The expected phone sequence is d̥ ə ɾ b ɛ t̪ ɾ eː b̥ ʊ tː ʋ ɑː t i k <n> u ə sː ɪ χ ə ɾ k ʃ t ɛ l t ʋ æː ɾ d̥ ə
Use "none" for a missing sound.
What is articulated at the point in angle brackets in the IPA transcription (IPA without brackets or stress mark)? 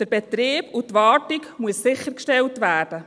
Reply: m